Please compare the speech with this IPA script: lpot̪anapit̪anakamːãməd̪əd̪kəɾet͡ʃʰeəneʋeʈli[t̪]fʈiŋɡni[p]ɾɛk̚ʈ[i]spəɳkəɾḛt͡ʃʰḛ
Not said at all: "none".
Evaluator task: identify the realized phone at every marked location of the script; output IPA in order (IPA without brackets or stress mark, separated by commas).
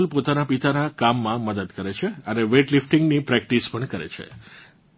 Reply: none, p, i